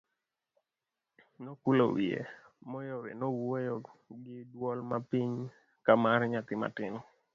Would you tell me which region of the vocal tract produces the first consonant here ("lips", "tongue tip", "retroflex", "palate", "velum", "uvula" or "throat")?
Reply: tongue tip